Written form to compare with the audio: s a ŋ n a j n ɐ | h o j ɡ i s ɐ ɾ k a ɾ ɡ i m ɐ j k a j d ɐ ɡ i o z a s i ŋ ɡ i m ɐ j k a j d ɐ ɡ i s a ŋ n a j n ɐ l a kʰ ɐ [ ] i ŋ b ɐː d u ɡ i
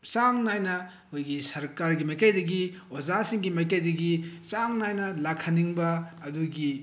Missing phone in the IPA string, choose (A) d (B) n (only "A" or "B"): B